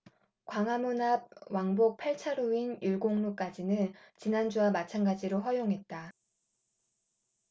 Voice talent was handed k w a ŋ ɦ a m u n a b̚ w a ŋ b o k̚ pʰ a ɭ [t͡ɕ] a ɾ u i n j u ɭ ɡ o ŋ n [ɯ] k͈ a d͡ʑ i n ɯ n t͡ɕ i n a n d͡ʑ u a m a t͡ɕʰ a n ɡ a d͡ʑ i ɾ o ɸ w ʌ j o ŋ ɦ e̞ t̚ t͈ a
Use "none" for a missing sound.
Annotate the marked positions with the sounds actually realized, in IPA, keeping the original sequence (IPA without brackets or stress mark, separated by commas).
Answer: t͡ɕʰ, u